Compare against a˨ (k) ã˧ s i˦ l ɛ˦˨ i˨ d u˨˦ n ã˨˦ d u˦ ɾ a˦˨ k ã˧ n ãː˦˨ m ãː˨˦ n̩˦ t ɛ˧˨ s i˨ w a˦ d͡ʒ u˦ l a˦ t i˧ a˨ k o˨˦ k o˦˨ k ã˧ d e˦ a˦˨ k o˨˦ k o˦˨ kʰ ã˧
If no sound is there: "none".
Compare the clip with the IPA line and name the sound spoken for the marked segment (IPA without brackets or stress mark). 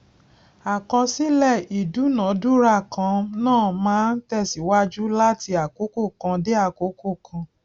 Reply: k